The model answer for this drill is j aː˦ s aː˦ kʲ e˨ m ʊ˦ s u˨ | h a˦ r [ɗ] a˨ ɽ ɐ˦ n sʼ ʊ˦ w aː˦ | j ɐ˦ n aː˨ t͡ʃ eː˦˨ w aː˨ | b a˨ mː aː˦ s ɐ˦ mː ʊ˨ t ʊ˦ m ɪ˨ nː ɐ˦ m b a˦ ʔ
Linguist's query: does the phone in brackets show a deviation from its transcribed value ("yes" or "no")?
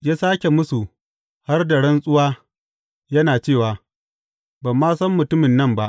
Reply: yes